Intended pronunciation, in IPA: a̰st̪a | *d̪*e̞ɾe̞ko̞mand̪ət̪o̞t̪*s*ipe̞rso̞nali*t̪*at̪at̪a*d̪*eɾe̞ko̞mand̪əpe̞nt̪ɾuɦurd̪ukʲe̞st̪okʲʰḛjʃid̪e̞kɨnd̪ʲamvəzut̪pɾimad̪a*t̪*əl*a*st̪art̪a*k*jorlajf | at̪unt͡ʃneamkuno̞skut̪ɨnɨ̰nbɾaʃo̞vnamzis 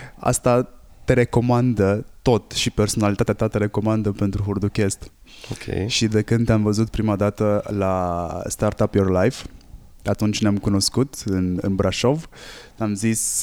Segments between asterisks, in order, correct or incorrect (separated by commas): incorrect, incorrect, correct, incorrect, correct, correct, incorrect